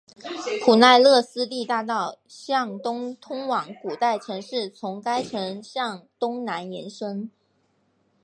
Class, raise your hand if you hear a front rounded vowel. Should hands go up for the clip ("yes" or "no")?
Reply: no